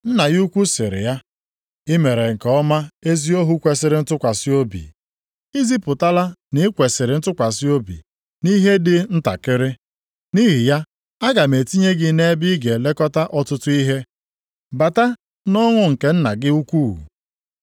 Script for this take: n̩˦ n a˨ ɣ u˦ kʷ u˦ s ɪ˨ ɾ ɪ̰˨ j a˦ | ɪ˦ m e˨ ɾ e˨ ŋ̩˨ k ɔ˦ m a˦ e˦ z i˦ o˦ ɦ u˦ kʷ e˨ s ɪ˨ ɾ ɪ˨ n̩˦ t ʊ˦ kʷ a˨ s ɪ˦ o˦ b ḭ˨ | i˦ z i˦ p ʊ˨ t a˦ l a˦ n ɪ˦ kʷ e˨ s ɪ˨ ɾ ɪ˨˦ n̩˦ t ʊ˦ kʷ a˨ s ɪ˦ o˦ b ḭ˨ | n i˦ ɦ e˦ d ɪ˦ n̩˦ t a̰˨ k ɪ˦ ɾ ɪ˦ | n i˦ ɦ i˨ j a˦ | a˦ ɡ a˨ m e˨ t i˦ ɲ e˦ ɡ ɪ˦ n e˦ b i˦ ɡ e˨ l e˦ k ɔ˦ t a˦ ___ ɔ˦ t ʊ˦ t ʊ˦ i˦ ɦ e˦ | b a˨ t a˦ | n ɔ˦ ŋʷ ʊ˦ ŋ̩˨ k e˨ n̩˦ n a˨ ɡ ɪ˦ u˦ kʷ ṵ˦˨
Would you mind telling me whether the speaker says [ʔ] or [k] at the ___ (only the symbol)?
ʔ